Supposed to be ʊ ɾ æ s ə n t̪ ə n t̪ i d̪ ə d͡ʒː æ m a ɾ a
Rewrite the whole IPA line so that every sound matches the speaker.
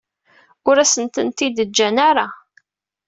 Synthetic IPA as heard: ʊ ɾ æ s ə n t̪ ə n t̪ i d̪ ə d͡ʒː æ n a ɾ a